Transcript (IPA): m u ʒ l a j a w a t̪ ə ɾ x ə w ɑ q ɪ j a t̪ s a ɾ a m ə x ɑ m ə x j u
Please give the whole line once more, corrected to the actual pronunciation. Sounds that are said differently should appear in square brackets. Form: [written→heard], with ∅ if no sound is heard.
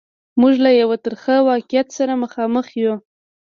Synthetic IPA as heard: m u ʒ l a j a w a t̪ ə ɾ x ə w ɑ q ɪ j a t̪ s a ɾ a m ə x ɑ m ə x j u